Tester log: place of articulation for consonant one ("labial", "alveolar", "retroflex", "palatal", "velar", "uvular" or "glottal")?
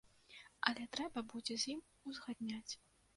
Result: alveolar